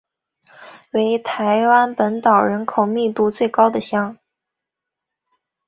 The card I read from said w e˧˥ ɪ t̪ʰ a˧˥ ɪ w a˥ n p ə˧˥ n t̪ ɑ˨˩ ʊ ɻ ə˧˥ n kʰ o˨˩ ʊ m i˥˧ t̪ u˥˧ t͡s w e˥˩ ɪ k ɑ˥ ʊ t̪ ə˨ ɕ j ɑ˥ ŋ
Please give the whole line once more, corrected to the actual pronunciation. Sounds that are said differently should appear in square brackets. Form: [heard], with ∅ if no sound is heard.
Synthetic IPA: w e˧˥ ɪ t̪ʰ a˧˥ ɪ w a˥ n p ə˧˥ n t̪ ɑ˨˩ ʊ ɻ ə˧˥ n kʰ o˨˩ ʊ m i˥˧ t̪ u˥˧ t͡s w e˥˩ ɪ k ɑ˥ ʊ [d̪] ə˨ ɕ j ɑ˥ ŋ